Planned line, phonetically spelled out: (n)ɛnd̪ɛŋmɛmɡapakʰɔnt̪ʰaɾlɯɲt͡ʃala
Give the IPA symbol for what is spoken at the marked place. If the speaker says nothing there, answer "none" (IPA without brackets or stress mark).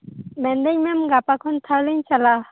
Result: m